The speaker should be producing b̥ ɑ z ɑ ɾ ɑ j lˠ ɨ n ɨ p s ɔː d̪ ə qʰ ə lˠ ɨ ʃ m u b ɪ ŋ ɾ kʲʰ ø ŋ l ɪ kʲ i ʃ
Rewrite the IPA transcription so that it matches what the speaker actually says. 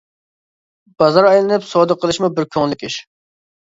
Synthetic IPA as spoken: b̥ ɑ z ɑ ɾ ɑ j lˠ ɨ n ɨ p s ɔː d̪ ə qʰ ə lˠ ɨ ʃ m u b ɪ ɾ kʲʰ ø ŋ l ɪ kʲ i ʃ